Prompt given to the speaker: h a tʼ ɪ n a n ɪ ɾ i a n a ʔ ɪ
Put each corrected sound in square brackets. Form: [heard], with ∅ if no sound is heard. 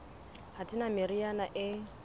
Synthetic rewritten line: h a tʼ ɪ n a [m] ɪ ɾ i a n a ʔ ɪ